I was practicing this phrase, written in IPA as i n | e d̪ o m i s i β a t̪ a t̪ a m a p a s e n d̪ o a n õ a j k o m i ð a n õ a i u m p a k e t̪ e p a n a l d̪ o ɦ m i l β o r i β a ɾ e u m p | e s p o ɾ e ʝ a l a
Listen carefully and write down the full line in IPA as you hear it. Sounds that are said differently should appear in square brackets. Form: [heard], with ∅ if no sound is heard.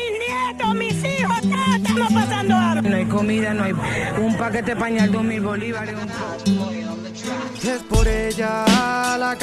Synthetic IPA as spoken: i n | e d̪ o m i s i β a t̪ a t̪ a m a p a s [a] n d̪ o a n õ a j k o m i ð a n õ a [j] u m p a k e t̪ e p a [ɲ] a l d̪ o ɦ m i l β o [l] i β a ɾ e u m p | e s p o ɾ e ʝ a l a